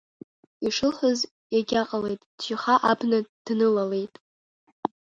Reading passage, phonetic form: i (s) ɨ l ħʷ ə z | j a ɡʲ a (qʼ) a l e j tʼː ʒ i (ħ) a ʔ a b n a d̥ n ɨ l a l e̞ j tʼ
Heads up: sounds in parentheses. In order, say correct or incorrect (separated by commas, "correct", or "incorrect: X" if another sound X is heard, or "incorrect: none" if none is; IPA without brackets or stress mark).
incorrect: ʂ, correct, incorrect: χ